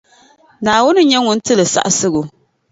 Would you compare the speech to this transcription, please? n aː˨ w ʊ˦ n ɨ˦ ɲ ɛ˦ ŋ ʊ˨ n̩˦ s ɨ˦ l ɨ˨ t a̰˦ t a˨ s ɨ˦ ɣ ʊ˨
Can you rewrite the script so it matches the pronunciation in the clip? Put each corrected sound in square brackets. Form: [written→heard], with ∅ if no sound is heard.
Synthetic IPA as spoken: n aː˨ w ʊ˦ n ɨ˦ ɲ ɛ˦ ŋ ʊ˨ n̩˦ [s→t] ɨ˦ l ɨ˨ [t→s] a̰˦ [t→ʔ] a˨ s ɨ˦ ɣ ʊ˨